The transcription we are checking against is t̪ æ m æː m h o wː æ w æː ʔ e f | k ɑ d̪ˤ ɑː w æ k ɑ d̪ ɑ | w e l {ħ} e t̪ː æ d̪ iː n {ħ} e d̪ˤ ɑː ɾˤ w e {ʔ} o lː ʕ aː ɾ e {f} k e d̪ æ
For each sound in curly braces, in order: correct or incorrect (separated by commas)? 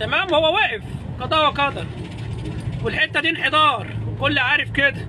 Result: correct, correct, incorrect, correct